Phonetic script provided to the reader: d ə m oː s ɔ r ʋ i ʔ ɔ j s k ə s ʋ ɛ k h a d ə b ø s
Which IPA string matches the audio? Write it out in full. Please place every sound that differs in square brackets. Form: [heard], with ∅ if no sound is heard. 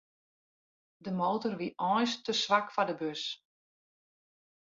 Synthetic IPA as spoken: d ə m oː [t] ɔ r ʋ i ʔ ɔ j s [t] ə s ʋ [a] k [f] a d ə b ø s